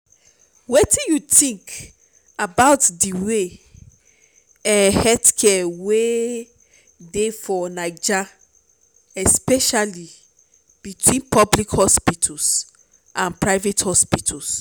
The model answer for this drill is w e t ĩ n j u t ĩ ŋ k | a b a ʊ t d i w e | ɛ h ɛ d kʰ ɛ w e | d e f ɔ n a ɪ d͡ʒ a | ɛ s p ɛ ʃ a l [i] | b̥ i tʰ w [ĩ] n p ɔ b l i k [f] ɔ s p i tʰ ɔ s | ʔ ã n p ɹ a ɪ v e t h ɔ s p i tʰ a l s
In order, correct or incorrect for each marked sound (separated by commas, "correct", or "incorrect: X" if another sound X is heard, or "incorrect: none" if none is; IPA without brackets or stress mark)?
correct, correct, incorrect: h